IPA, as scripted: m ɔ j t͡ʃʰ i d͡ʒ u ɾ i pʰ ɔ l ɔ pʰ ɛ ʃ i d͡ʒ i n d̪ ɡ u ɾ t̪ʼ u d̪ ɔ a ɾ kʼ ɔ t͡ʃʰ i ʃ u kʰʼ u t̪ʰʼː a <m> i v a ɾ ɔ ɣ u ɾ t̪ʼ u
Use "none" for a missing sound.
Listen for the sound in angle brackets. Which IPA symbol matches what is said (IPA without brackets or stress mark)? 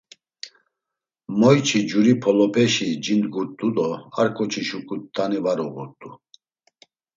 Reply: n